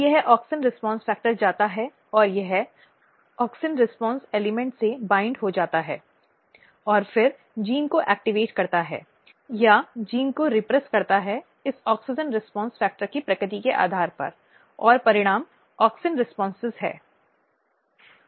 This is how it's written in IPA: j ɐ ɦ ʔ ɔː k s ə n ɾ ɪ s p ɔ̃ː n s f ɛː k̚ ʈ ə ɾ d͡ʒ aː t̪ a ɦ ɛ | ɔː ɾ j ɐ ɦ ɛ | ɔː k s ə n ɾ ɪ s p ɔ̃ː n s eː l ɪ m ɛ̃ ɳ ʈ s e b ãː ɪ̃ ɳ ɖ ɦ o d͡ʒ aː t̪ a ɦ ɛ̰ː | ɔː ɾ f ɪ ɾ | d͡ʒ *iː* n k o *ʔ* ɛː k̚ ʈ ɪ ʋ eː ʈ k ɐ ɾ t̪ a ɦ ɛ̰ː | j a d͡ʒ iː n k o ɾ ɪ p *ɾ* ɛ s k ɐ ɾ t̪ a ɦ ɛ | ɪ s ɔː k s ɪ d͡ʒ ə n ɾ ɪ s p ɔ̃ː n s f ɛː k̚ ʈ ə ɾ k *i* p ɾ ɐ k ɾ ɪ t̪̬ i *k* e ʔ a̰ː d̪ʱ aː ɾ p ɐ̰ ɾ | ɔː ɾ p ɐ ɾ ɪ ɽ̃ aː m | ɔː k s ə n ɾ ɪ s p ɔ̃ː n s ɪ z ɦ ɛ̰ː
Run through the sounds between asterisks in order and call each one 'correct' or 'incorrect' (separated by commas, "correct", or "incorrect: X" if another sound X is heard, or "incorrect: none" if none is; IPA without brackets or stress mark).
correct, correct, correct, correct, correct